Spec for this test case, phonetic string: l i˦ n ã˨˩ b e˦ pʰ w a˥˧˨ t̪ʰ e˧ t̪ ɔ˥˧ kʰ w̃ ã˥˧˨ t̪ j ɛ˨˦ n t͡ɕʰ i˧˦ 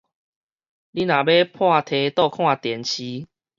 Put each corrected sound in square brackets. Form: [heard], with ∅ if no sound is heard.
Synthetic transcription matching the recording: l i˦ n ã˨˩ b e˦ pʰ w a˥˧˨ t̪ʰ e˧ t̪ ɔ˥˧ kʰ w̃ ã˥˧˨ t̪ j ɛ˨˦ n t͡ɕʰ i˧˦